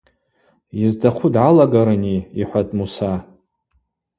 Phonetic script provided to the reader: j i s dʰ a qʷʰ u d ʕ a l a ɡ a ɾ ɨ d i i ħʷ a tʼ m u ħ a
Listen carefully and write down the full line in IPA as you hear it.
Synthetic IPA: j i z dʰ a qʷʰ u d ʕ a l a ɡ a ɾ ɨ n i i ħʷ a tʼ m u s a